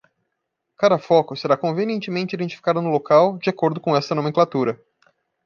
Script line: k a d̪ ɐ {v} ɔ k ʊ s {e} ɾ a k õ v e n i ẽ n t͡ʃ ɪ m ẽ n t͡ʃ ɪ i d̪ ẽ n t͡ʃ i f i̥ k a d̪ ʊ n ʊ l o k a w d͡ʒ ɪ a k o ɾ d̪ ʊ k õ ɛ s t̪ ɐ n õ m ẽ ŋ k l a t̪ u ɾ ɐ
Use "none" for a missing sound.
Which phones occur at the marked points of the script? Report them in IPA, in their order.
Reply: f, e

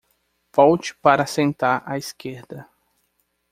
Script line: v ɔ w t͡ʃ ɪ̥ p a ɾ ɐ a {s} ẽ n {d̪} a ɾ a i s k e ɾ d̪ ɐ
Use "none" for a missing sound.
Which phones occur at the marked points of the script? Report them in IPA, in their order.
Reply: s, t̪

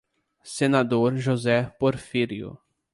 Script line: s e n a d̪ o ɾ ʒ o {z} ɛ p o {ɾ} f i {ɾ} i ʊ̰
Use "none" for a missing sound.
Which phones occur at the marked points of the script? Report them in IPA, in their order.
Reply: z, ɾ, ɾ

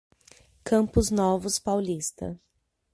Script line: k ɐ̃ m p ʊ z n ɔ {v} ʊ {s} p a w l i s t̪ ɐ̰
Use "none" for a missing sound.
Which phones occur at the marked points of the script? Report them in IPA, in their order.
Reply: v, s

